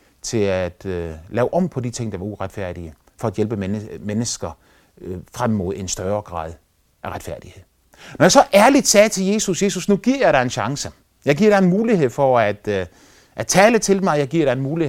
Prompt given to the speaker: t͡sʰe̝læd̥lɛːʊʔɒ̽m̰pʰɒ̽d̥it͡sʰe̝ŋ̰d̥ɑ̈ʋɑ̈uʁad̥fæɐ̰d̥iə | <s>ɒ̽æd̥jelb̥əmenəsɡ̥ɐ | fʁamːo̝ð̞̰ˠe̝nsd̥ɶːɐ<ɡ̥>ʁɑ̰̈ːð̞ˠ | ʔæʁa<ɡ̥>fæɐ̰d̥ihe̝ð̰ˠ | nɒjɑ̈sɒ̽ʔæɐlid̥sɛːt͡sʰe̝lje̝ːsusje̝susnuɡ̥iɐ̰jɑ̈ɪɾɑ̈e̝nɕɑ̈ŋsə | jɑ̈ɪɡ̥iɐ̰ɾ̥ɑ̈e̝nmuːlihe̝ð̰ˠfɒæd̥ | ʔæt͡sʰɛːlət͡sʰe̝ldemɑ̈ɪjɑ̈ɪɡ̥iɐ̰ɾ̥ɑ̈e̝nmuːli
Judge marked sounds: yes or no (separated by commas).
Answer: no, yes, no